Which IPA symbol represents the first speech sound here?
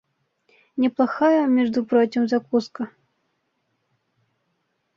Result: nʲ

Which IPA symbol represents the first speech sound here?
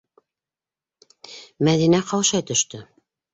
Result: m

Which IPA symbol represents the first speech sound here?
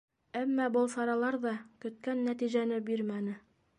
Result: æ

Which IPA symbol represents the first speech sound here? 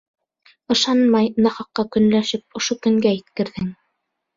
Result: ɤ̆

